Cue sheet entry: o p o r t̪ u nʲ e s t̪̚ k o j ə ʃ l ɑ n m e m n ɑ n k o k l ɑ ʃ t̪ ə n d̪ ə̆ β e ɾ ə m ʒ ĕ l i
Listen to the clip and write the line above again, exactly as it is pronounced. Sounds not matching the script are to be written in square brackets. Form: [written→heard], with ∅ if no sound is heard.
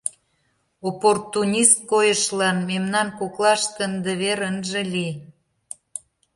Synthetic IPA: o p o r t̪ u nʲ [e→i] s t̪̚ k o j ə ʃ l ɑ n m e m n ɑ n k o k l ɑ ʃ t̪ ə n d̪ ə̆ β e ɾ ə [m→n] ʒ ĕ l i